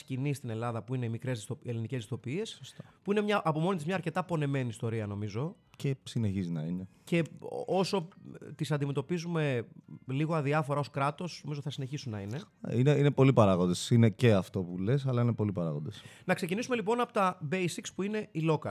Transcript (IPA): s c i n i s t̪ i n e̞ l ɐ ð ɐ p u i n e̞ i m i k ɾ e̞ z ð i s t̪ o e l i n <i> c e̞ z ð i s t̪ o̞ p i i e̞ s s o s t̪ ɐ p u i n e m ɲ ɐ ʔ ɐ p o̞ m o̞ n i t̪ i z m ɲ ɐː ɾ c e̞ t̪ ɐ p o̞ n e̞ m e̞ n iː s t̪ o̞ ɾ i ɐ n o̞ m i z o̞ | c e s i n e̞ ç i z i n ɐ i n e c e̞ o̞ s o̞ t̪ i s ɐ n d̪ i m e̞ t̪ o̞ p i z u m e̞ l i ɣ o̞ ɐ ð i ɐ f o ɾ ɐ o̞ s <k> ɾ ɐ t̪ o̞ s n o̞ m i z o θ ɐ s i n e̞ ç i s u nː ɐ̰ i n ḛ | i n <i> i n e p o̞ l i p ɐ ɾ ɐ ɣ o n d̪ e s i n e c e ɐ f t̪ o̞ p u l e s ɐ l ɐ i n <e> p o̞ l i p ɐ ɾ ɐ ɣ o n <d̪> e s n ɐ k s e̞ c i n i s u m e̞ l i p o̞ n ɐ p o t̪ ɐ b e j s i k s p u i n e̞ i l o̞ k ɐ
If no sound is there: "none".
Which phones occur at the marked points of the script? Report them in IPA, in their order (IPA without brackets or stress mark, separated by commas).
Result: i, k, e, e, d̪